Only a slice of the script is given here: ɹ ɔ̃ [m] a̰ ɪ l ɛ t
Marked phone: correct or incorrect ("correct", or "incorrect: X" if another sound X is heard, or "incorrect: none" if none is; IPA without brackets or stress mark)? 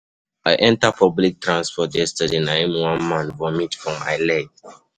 correct